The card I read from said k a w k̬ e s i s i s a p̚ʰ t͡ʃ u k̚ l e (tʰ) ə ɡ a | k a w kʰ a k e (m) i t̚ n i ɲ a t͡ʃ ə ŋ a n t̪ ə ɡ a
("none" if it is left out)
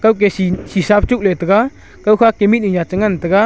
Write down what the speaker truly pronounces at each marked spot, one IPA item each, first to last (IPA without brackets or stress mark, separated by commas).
t, m